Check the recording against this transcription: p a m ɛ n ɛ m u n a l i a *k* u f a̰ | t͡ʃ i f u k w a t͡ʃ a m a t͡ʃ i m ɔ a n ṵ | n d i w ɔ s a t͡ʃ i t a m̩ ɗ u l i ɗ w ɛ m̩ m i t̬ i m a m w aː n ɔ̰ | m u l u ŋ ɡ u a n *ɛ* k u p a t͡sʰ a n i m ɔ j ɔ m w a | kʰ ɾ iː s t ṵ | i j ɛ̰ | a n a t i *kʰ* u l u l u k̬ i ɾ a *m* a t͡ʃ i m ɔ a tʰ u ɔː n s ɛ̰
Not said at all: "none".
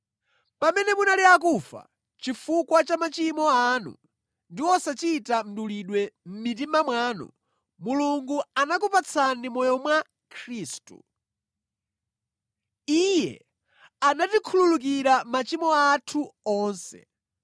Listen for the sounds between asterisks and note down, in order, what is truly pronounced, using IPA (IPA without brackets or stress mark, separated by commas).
k, a, kʰ, m